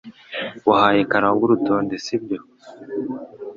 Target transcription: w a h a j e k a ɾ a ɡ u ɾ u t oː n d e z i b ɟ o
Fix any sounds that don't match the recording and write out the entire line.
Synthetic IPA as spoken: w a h a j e k a ɾ a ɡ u ɾ u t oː n d e s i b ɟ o